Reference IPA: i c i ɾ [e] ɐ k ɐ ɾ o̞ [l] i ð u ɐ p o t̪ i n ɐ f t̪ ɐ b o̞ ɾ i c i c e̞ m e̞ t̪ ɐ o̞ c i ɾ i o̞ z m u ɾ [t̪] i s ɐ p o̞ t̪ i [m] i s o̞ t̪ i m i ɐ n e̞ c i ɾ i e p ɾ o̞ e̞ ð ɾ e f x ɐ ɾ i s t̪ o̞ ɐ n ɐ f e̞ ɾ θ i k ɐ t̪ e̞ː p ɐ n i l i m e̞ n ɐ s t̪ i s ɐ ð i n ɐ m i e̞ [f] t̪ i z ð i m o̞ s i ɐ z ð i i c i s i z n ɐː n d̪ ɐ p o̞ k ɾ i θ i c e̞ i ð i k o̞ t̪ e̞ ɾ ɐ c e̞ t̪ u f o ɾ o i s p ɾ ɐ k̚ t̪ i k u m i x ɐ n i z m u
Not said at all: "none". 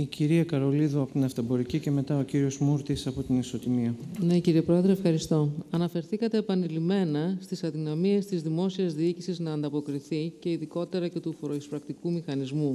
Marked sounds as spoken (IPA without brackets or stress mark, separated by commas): i, l, t̪, n, s